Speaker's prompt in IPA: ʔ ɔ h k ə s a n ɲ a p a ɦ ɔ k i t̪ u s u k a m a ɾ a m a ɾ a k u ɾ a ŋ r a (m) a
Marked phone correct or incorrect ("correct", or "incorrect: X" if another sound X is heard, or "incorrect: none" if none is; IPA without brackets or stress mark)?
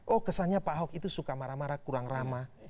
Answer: correct